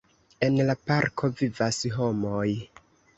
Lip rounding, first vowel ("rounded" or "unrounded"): unrounded